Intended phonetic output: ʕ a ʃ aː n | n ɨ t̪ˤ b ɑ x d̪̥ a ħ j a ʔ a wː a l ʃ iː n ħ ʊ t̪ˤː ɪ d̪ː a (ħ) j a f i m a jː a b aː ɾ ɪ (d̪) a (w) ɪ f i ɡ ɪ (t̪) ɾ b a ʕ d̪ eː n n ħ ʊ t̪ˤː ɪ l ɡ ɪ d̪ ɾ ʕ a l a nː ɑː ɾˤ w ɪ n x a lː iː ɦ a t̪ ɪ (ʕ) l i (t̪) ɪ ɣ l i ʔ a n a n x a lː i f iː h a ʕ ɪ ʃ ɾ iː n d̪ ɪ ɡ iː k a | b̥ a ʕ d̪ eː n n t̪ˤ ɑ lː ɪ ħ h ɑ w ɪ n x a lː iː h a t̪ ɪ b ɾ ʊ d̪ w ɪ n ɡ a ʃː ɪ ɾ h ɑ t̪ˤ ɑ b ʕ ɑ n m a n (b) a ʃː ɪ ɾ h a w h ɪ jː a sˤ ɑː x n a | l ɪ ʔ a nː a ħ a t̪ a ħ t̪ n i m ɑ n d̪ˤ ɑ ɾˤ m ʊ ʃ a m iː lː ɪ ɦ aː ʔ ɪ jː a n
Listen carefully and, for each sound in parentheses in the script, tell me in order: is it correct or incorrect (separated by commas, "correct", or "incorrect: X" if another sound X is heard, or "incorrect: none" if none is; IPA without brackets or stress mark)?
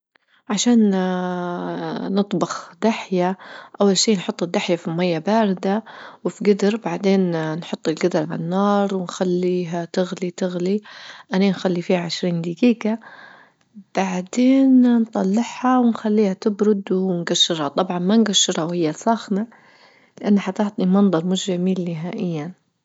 correct, correct, correct, incorrect: d̪, incorrect: ɣ, correct, incorrect: ɡ